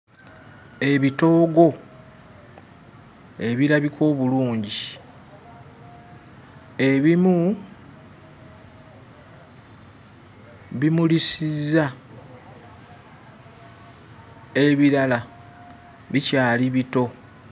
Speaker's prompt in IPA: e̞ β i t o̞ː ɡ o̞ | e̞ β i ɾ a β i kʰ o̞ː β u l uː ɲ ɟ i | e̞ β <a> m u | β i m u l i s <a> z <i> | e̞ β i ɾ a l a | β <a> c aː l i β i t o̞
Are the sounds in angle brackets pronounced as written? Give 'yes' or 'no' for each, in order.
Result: no, no, no, no

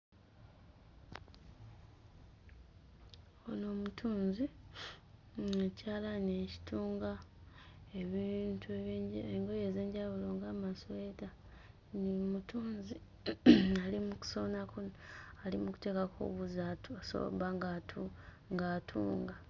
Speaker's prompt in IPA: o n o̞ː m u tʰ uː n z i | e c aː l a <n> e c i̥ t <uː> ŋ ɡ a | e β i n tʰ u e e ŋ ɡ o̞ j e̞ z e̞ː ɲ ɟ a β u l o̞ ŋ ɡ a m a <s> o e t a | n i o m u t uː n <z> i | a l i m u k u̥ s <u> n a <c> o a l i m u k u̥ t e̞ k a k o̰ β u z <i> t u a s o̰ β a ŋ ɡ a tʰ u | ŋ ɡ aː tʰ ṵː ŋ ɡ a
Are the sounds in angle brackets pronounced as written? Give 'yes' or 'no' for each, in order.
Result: yes, yes, yes, yes, no, no, no

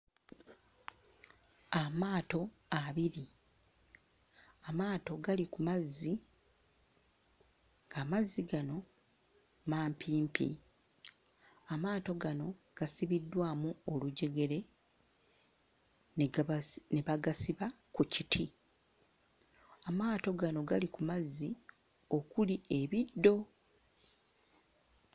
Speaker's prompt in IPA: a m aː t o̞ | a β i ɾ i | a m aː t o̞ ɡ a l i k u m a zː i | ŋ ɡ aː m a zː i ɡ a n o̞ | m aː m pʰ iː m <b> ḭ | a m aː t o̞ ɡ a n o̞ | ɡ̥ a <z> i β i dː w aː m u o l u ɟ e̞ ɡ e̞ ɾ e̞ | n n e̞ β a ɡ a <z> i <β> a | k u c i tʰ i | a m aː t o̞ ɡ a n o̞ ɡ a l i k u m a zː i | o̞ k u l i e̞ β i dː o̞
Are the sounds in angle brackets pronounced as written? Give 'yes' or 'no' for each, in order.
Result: no, no, no, yes

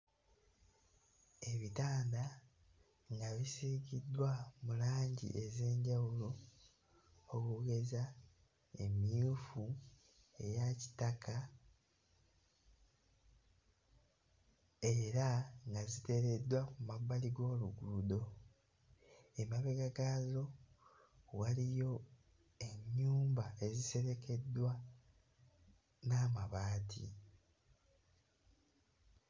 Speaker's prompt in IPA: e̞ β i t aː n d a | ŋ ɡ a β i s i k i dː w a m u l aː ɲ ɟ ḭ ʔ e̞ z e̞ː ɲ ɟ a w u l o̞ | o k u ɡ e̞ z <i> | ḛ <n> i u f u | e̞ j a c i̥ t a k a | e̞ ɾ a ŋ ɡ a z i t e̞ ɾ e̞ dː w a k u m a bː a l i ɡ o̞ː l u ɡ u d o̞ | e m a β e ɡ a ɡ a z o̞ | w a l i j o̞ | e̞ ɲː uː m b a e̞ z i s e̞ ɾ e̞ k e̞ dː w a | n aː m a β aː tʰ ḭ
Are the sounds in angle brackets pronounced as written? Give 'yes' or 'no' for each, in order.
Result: no, no

